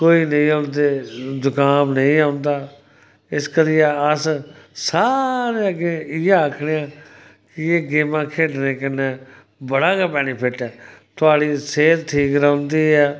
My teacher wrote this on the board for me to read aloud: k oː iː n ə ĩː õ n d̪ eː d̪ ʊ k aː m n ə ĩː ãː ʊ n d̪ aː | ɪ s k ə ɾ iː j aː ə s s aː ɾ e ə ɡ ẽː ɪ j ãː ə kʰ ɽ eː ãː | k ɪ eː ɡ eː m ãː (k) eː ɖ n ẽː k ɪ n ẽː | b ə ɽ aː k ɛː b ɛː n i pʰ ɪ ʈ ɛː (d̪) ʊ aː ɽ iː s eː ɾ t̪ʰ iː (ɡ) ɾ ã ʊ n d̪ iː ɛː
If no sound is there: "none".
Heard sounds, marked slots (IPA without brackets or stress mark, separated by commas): kʰ, t̪, k